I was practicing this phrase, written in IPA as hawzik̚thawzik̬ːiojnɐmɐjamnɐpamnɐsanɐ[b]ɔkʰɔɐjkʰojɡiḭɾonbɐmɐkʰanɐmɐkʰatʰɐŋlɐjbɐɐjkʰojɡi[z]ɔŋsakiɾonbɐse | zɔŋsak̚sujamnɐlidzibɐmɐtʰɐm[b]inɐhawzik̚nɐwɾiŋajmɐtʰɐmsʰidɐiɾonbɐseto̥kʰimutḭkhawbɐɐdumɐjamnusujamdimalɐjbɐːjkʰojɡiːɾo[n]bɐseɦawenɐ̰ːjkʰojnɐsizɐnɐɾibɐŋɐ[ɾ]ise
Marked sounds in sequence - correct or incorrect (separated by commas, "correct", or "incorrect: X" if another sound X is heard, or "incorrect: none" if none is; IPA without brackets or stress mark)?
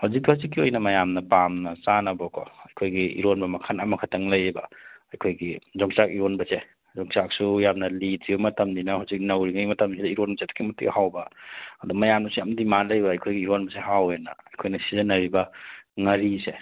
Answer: correct, correct, incorrect: d, correct, correct